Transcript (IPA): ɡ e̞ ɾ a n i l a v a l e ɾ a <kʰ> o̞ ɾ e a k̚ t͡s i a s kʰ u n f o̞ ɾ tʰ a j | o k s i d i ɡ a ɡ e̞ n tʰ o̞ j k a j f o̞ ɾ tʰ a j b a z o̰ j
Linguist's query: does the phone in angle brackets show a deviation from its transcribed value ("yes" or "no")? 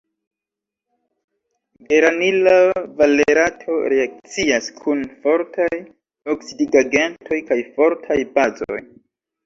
yes